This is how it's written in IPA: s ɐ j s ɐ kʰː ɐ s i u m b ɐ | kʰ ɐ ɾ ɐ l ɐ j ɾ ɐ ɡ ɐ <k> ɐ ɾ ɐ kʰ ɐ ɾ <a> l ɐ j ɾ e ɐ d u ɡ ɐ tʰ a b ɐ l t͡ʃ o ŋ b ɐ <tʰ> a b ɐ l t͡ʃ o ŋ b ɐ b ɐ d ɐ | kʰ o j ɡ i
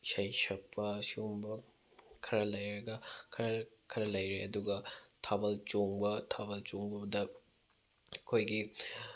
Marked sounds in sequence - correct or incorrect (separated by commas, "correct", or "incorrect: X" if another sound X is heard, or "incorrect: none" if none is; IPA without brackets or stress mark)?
incorrect: kʰ, incorrect: ɐ, correct